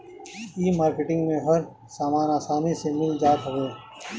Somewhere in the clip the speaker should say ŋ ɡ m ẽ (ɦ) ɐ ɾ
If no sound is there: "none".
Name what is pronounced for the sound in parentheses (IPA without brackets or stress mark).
ɦ